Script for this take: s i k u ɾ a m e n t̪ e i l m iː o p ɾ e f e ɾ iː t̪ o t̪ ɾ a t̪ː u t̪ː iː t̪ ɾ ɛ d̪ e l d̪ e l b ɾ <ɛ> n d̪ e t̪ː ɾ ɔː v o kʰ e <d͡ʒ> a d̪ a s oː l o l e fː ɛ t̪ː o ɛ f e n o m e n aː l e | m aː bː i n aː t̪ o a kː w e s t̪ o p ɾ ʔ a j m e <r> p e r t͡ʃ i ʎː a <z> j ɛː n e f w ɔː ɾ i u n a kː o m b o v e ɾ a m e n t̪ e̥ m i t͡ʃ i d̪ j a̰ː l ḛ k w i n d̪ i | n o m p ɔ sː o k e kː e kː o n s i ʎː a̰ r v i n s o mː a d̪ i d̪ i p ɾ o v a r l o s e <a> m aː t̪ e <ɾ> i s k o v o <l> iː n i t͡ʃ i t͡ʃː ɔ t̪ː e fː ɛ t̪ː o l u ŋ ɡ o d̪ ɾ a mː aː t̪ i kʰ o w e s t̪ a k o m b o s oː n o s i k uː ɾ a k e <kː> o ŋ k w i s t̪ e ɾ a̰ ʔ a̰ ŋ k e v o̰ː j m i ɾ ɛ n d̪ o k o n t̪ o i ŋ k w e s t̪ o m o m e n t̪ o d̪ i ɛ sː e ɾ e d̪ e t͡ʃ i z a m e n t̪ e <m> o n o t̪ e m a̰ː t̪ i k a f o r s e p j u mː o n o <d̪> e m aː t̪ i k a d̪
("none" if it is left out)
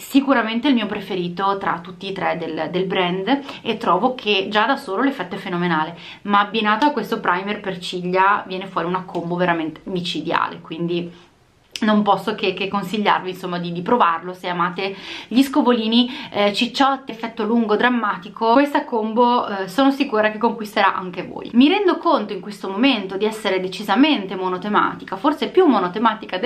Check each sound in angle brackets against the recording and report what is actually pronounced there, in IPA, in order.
ɛ, d͡ʒ, r, v, a, ʎ, l, kː, m, t̪

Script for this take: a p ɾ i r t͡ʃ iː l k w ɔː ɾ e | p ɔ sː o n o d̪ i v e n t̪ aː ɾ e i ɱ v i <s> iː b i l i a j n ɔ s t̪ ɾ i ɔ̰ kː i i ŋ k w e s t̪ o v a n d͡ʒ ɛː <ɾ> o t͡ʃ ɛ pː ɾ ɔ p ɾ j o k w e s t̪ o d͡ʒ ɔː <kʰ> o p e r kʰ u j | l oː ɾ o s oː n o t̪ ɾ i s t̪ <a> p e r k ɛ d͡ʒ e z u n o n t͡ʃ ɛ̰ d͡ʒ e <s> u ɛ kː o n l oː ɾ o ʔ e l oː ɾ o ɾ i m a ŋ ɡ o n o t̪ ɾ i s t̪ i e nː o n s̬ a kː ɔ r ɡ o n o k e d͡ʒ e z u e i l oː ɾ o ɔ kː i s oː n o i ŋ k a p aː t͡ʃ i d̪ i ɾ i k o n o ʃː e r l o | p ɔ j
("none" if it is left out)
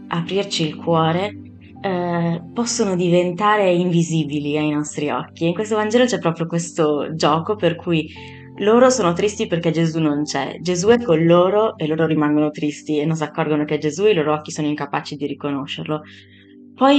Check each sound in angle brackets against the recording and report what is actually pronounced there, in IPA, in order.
z, l, k, i, z

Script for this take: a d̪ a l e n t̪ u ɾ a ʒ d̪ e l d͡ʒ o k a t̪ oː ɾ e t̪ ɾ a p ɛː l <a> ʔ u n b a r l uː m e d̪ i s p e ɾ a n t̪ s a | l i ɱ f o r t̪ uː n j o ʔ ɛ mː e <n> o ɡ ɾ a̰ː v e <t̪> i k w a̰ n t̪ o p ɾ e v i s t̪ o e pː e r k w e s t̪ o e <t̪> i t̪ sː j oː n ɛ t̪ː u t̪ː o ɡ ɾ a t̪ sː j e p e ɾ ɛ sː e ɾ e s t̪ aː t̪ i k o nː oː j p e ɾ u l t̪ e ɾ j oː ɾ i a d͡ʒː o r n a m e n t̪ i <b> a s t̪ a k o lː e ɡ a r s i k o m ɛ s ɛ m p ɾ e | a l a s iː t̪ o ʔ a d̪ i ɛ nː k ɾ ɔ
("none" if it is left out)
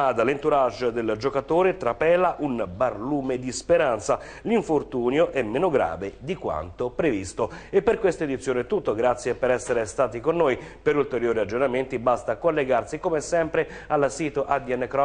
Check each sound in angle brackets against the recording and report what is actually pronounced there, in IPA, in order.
a, n, d̪, d̪, b

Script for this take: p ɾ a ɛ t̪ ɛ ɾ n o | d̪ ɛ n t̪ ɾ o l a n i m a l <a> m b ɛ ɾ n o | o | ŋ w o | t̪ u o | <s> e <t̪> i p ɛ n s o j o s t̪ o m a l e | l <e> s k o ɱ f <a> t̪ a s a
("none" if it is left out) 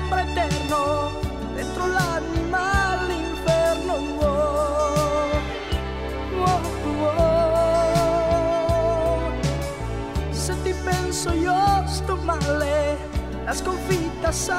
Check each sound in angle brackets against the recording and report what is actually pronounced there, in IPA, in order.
i, s, t̪, a, i

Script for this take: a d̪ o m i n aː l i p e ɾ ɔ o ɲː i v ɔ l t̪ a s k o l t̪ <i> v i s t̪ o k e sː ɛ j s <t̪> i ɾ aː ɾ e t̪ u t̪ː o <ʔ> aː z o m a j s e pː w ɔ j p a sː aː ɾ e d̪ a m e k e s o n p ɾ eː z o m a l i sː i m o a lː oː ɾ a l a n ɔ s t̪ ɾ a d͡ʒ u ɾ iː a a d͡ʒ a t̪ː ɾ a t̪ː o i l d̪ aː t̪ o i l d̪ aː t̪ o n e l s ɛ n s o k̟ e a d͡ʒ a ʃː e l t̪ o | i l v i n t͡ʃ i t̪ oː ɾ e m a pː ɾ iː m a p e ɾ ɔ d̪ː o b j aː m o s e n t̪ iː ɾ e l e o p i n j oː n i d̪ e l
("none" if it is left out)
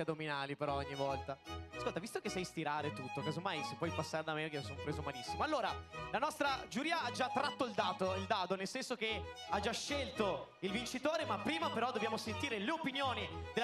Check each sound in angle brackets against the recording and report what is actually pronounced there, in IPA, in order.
a, t̪, k

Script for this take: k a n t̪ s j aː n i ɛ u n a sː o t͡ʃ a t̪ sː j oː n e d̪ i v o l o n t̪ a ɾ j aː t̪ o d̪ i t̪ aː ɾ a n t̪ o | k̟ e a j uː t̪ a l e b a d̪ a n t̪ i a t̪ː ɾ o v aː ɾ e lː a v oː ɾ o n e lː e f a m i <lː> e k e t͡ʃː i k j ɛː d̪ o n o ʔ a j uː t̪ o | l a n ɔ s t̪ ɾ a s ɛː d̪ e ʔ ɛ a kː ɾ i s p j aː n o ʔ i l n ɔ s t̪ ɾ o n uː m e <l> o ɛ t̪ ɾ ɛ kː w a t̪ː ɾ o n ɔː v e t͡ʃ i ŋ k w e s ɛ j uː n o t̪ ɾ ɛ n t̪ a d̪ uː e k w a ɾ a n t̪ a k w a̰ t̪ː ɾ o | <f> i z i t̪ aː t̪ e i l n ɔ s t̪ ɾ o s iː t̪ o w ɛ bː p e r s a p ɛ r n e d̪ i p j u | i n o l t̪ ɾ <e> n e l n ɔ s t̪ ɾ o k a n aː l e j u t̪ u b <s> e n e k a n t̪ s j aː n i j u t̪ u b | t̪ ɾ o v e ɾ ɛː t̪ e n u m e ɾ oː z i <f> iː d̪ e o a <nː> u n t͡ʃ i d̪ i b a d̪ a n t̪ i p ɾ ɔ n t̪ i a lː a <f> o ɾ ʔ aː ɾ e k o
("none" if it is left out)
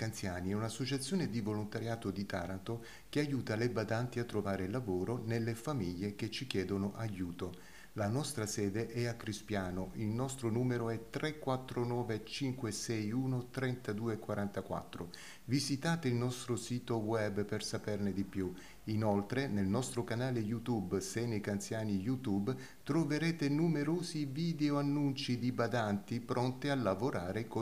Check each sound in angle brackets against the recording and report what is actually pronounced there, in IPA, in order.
ʎː, ɾ, v, e, s, v, nː, v

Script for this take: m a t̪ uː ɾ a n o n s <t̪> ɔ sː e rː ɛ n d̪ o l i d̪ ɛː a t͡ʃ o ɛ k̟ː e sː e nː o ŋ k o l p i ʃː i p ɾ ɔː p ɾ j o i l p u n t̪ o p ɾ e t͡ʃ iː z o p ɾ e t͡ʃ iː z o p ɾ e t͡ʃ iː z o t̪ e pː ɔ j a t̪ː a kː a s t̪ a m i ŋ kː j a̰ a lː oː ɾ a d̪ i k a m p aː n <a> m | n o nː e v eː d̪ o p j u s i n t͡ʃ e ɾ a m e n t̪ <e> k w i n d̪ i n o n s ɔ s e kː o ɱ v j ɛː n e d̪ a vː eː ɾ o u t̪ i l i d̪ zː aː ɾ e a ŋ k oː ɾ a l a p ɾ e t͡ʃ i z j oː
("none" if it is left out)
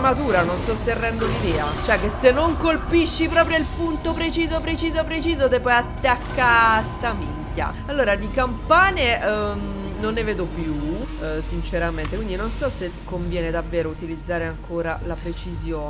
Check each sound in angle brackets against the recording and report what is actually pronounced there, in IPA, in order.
t̪, e, e

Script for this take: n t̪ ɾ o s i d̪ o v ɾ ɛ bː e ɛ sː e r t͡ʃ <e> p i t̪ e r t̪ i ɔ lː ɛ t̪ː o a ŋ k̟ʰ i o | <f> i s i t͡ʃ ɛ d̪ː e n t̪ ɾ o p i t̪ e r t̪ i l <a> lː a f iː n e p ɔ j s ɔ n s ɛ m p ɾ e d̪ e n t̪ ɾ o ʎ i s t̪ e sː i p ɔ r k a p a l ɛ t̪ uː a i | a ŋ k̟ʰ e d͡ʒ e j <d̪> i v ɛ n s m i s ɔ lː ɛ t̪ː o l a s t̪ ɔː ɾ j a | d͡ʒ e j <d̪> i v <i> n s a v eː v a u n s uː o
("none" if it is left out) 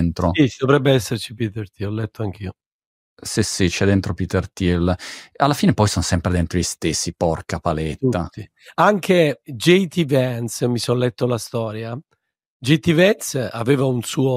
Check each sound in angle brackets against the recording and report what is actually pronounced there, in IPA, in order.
i, s, a, t̪, t̪, ɛ

